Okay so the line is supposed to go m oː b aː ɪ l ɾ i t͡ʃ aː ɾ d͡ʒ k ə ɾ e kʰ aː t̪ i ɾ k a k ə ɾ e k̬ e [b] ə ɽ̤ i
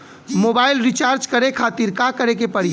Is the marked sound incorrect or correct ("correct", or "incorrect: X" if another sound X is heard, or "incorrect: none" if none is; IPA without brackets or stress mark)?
incorrect: p